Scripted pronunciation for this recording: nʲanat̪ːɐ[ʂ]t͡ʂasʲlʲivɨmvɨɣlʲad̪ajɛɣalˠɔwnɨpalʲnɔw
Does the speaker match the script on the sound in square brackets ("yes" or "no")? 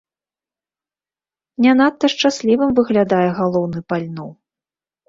yes